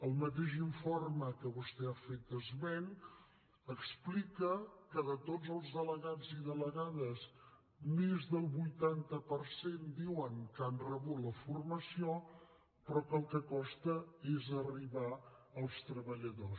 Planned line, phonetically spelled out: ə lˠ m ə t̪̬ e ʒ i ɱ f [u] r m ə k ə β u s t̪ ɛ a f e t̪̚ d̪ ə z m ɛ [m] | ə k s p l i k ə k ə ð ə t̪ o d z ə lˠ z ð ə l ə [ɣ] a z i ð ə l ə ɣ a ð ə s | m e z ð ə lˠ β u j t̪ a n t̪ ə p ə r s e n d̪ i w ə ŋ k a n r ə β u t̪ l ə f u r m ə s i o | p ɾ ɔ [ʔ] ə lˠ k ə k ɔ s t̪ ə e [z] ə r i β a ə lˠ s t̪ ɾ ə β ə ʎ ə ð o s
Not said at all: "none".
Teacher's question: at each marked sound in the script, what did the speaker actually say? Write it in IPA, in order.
o, n, ɣ, k, z

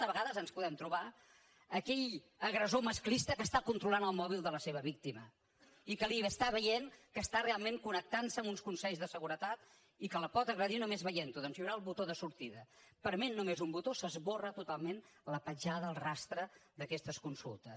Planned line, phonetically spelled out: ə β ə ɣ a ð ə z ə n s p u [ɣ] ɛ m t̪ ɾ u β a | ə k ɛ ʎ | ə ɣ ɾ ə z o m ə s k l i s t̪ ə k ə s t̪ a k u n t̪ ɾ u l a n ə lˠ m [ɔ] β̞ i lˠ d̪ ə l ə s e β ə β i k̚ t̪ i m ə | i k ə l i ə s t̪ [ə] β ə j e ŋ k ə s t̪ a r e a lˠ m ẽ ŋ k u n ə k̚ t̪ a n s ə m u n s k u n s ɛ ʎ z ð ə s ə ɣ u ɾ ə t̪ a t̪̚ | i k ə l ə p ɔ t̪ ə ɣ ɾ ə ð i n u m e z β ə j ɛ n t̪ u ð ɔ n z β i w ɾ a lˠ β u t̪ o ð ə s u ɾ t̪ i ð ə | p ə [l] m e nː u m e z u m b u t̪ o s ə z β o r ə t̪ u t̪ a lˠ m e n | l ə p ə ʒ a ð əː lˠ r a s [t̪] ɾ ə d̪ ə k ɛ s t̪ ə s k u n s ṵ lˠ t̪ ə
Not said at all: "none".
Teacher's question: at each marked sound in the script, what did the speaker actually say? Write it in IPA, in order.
ð, ɔ, a, ɾ, t̪

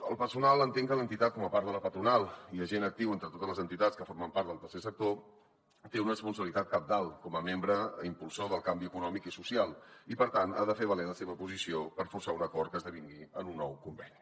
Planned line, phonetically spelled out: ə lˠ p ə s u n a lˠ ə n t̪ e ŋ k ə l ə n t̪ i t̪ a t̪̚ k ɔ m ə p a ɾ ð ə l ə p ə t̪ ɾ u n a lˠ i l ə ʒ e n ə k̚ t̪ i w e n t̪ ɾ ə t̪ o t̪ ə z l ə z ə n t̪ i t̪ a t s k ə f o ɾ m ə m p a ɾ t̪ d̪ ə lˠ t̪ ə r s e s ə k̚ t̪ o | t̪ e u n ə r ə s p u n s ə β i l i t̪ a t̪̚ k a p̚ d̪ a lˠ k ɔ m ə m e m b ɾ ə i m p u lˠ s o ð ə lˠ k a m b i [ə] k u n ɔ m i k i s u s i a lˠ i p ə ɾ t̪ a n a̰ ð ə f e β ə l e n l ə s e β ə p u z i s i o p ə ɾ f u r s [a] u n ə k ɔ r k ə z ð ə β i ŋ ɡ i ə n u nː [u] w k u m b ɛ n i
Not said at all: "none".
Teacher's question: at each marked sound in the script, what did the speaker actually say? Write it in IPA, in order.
ə, a, ɔ

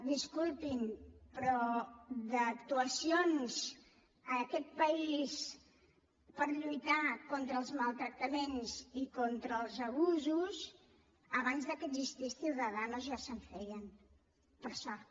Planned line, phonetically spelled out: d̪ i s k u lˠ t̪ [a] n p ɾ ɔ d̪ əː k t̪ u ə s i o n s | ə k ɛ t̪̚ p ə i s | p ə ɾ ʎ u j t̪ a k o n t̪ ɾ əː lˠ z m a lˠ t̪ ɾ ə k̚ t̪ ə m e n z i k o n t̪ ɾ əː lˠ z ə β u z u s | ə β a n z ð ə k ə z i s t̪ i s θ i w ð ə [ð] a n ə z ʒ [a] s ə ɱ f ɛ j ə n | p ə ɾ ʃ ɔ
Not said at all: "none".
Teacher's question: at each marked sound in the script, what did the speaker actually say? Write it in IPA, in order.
i, ð, a

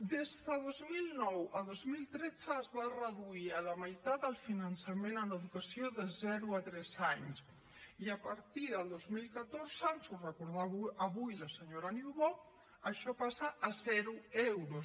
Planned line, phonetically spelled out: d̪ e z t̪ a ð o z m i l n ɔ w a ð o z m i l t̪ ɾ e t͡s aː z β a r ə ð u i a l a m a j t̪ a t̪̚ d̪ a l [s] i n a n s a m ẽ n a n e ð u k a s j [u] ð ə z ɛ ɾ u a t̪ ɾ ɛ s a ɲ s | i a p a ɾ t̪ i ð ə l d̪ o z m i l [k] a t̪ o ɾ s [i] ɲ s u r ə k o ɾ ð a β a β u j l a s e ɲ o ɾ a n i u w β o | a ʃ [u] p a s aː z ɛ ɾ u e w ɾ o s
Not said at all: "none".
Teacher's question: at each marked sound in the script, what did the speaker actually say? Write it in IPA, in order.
f, o, k, a, ɔ

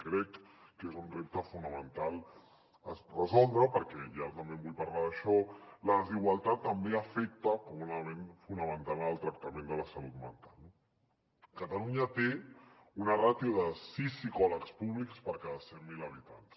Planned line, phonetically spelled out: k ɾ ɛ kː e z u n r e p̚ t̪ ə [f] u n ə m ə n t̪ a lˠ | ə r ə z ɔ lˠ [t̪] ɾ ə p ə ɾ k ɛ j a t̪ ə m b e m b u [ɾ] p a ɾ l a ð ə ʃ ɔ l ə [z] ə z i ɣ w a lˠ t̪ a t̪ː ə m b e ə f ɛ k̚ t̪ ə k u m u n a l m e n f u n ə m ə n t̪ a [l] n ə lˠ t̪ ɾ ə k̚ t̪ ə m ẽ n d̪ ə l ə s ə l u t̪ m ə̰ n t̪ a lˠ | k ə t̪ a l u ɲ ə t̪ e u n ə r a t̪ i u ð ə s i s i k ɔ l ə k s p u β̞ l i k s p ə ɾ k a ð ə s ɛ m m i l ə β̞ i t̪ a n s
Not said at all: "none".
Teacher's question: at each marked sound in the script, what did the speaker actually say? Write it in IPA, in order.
f, d̪, ʎ, ð, l

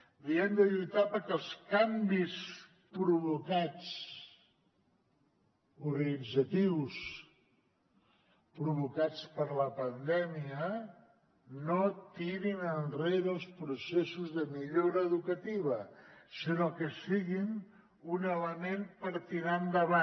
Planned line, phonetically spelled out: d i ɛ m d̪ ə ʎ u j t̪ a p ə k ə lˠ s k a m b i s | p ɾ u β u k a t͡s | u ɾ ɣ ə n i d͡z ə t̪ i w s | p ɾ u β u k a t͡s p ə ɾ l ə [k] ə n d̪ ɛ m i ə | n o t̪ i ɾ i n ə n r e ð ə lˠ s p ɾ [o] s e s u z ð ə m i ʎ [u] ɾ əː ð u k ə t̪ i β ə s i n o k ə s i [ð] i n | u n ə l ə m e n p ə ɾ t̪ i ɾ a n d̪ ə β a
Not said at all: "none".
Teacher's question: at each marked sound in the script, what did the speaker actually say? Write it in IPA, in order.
p, u, o, ɣ

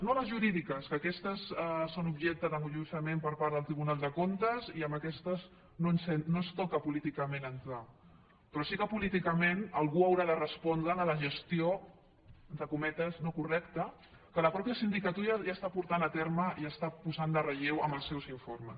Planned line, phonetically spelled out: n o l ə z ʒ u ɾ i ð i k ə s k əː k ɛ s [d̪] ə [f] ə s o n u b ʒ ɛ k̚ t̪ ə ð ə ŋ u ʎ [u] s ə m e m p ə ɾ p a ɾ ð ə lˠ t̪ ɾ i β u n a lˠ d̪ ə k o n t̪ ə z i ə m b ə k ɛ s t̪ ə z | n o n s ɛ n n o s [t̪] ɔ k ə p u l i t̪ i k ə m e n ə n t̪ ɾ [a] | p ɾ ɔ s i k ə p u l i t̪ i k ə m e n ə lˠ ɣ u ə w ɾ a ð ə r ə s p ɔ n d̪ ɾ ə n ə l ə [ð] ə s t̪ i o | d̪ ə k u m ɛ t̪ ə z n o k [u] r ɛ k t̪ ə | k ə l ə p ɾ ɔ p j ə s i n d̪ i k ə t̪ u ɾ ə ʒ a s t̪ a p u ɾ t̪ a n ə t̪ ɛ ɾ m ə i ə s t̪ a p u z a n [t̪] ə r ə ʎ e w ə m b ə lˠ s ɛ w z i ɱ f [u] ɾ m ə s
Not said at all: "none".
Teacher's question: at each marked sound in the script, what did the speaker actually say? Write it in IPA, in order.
t̪, s, u, t̪, a, ʒ, u, d̪, o

